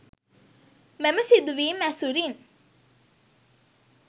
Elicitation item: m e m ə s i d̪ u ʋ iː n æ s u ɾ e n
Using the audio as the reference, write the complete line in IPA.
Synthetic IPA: m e m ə s i d̪ u ʋ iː m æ s u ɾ i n